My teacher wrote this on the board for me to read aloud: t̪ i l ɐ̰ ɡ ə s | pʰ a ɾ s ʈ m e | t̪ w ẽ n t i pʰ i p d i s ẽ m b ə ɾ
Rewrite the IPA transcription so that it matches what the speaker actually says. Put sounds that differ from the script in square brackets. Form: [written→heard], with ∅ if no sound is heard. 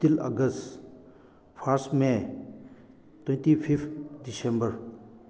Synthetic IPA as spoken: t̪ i l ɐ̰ ɡ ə s | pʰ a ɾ s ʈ m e | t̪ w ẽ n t i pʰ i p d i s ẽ m b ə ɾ

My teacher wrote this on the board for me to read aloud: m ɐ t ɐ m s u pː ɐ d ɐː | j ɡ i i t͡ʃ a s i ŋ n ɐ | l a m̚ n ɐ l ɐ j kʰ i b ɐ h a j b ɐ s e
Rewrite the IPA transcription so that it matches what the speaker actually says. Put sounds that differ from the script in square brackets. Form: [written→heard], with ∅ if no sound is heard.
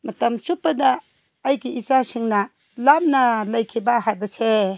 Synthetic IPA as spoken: m ɐ t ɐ m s u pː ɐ d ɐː | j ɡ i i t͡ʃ a s i ŋ n ɐ | l a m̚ n ɐ l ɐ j kʰ i b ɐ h a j b ɐ s e

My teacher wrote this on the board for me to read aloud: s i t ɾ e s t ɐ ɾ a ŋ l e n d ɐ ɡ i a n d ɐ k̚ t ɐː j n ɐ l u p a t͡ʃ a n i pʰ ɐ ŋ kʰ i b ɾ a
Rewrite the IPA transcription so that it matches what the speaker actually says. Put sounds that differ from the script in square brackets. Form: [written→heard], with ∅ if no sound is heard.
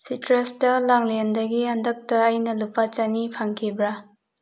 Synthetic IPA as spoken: s i t ɾ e s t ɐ [ɾ→l] a ŋ l e n d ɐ ɡ i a n d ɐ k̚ t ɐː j n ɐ l u p a t͡ʃ a n i pʰ [ɐ→a] ŋ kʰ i b ɾ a

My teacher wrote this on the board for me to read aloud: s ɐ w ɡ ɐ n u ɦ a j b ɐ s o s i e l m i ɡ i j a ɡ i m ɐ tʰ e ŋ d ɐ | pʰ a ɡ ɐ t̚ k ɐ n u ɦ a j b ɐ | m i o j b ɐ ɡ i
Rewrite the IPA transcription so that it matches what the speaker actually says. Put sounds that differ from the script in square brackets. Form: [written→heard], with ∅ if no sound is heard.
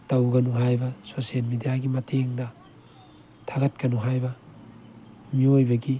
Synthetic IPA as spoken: [s→t] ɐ w ɡ ɐ n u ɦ a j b ɐ s o s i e l m i [ɡ→d] i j a ɡ i m ɐ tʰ e ŋ d ɐ | [pʰ→tʰ] a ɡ ɐ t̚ k ɐ n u ɦ a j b ɐ | m i o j b ɐ ɡ i

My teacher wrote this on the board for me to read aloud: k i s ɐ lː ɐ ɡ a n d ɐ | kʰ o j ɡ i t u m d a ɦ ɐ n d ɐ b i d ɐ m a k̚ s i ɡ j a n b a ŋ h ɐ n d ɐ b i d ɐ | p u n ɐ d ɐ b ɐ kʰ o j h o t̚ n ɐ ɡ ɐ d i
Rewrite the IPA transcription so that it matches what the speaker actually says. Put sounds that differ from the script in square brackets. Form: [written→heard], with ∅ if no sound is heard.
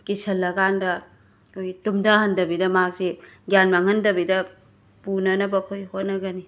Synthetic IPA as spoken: k i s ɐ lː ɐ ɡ a n d ɐ | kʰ o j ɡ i t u m d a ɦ ɐ n d ɐ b i d ɐ m a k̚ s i ɡ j a n [b→m] a ŋ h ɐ n d ɐ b i d ɐ | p u n ɐ [d→n] ɐ b ɐ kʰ o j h o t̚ n ɐ ɡ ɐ [d→n] i

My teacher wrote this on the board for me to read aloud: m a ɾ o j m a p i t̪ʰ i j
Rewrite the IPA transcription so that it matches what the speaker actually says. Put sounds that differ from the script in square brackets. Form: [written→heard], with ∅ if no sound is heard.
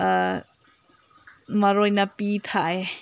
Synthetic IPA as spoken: m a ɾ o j [m→n] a p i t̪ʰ [i→a] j

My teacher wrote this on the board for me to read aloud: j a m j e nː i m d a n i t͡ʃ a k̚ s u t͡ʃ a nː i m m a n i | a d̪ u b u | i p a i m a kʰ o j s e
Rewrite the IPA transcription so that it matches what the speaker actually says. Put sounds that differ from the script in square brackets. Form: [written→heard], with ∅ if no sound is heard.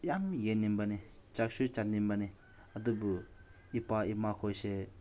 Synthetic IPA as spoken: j a m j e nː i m [d→b] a n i t͡ʃ a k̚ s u t͡ʃ a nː i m [m→b] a n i | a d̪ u b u | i p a i m a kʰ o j s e

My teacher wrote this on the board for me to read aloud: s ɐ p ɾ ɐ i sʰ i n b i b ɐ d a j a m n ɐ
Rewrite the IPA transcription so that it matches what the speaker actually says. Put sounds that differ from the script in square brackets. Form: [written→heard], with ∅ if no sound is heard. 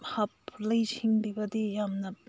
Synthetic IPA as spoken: [s→h] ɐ p [ɾ→l] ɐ [i→j] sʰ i [n→ŋ] b i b ɐ d [a→i] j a m n ɐ

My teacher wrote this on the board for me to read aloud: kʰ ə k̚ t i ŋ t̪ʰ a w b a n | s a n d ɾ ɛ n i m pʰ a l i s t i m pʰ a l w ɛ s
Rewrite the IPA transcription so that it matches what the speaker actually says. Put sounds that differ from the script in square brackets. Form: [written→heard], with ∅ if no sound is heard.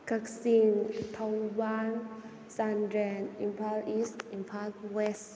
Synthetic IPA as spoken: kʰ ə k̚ [t→s] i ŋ t̪ʰ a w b a n | s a n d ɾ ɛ n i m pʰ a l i s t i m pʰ a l w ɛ s

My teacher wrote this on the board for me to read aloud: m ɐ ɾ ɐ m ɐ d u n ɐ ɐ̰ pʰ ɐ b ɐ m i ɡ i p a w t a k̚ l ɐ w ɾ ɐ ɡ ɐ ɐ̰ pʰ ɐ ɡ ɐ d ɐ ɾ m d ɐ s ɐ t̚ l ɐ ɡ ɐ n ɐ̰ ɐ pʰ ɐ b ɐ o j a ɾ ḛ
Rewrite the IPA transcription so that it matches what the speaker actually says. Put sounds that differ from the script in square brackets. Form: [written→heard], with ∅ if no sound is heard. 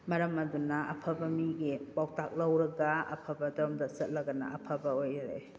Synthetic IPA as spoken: m ɐ ɾ ɐ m ɐ d u n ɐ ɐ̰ pʰ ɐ b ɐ m i ɡ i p a w t a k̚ l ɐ w ɾ ɐ ɡ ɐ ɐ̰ pʰ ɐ [ɡ→b] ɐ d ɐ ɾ m d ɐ s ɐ t̚ l ɐ ɡ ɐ n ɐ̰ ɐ pʰ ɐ b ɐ o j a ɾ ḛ

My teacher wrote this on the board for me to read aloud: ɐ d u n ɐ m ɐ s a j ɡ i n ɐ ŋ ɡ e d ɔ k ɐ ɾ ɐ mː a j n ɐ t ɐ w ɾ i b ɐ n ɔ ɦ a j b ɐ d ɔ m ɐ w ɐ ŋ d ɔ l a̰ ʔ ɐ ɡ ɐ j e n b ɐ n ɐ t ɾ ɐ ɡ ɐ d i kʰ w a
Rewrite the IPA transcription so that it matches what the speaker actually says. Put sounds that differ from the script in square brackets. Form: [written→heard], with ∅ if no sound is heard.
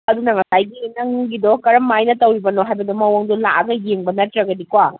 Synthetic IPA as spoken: ɐ d u n ɐ [m→ŋ] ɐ s a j ɡ i n ɐ ŋ ɡ [e→i] d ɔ k ɐ ɾ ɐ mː a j n ɐ t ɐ w ɾ i b ɐ n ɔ ɦ a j b ɐ d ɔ m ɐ w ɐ ŋ d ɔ l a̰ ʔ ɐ ɡ ɐ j e [n→ŋ] b ɐ n ɐ t ɾ ɐ ɡ ɐ d i [kʰ→k] w a

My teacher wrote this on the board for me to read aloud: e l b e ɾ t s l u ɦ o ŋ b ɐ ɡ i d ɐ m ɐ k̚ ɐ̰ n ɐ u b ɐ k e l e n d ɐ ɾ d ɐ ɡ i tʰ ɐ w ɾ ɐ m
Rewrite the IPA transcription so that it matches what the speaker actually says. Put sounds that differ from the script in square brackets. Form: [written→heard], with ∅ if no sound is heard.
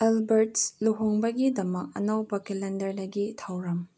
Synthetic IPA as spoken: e l b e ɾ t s l u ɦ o ŋ b ɐ ɡ i d ɐ m ɐ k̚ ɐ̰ n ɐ [u→w] b ɐ k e l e n d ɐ ɾ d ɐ ɡ i tʰ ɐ w ɾ ɐ m

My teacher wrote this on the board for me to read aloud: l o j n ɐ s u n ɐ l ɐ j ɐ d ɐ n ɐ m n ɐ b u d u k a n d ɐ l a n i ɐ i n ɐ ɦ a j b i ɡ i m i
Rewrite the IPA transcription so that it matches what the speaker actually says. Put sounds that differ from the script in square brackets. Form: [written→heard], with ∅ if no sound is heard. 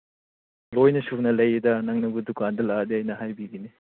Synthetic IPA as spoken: l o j n ɐ s u n ɐ l ɐ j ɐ d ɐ n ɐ [m→ŋ] n ɐ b u d u k a n d ɐ l a [n→d] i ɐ [i→j] n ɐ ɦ a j b i ɡ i [m→n] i

